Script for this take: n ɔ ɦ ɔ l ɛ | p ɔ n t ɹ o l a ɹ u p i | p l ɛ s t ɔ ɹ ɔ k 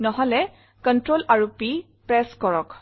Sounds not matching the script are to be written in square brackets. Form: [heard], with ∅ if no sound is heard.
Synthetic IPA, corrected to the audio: n ɔ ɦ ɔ l ɛ | [k] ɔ n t ɹ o l a ɹ u p i | p [ɹ] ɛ s [k] ɔ ɹ ɔ k

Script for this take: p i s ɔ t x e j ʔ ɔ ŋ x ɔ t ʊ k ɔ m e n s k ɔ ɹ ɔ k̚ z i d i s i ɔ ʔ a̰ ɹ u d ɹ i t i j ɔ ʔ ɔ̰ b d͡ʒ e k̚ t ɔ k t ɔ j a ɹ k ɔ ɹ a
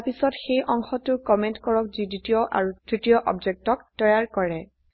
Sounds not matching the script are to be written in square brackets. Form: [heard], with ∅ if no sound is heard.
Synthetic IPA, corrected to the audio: p i s ɔ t x e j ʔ ɔ ŋ x ɔ t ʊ k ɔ m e n [t] k ɔ ɹ ɔ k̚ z i d i [t] i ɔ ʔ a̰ ɹ u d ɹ i t i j ɔ ʔ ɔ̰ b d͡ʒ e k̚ t ɔ k t ɔ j a ɹ k ɔ ɹ [ɛ]

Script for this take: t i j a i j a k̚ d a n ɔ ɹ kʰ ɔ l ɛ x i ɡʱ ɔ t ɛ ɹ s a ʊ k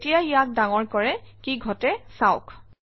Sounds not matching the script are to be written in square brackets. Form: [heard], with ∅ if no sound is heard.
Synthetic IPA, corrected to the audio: t i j a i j a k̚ d a [ŋ] ɔ ɹ [k] ɔ [ɹ] ɛ [k] i ɡʱ ɔ t ɛ [∅] s a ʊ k

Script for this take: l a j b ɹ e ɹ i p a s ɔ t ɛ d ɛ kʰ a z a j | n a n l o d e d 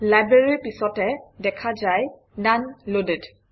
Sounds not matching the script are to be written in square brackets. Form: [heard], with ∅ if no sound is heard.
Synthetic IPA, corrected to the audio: l a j b ɹ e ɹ i p [i] s ɔ t ɛ d ɛ kʰ a z a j | n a n l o d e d

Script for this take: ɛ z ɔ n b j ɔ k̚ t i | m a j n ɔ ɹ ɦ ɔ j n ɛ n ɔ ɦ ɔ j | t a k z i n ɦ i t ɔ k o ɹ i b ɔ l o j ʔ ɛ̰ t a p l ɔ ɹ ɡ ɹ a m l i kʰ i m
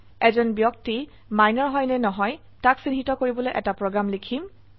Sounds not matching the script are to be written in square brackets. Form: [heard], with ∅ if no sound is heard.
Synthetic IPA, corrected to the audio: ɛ z ɔ n b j ɔ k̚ t i | m a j n ɔ ɹ ɦ ɔ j n ɛ n ɔ ɦ ɔ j | t a k [s] i n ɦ i t ɔ k o ɹ i b ɔ l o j ʔ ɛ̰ t a p [ɹ] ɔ [∅] ɡ ɹ a m l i kʰ i m

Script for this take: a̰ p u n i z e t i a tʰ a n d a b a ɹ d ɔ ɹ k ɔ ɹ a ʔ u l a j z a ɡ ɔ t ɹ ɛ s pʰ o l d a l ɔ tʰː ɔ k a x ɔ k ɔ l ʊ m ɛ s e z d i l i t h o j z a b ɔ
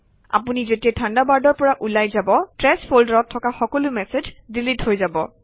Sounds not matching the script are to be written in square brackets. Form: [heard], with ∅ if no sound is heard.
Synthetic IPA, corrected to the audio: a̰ p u n i z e t i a tʰ a n d a b a ɹ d ɔ ɹ [p] ɔ ɹ a ʔ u l a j z a [b] ɔ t ɹ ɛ s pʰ o l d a [ɹ] ɔ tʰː ɔ k a x ɔ k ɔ l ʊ m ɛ s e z d i l i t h o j z a b ɔ

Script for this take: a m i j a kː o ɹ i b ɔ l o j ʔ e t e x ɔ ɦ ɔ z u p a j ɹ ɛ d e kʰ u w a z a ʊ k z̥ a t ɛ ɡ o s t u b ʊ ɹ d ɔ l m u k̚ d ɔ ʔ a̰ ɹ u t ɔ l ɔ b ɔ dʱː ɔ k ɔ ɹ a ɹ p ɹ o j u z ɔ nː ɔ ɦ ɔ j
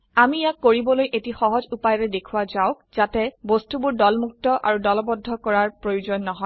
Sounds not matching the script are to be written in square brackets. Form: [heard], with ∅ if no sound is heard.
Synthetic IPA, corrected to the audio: a m i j a kː o ɹ i b ɔ l o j ʔ e t [i] x ɔ ɦ ɔ z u p a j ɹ ɛ d e kʰ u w a z a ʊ k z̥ a t ɛ [b] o s t u b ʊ ɹ d ɔ l m u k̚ [t] ɔ ʔ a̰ ɹ u [d] ɔ l ɔ b ɔ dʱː ɔ k ɔ ɹ a ɹ p ɹ o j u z ɔ nː ɔ ɦ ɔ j

